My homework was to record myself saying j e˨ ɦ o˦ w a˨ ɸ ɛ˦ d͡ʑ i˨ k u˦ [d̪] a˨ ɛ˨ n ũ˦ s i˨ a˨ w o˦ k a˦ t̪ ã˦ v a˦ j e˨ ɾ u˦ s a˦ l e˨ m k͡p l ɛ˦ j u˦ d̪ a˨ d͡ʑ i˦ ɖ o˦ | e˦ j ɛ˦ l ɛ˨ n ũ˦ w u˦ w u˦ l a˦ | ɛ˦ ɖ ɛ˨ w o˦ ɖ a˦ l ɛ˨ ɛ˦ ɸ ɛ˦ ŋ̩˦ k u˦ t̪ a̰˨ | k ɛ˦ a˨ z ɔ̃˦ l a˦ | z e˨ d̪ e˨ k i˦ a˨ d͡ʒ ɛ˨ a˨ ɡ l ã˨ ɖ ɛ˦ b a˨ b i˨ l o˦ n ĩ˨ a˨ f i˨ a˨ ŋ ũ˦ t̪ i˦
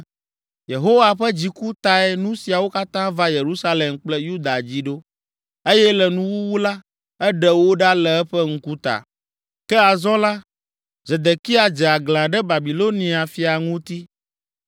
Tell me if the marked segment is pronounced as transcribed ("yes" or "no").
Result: no